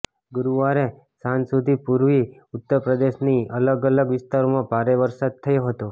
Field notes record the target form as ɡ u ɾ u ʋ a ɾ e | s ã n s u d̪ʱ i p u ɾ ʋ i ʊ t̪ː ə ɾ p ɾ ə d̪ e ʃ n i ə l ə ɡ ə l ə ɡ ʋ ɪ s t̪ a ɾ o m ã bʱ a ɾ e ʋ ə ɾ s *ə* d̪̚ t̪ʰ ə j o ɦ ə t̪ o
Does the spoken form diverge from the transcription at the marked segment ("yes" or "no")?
yes